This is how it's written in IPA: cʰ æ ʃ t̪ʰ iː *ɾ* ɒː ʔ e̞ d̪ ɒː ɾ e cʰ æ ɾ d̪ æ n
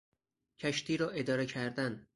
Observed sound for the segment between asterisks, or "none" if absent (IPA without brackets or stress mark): ɾ